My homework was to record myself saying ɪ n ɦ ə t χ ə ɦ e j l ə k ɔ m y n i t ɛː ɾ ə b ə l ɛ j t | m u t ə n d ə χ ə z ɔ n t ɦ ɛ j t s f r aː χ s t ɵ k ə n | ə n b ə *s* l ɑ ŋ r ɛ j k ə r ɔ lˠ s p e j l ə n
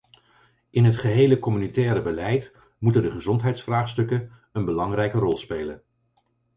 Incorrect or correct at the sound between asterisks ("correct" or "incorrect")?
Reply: incorrect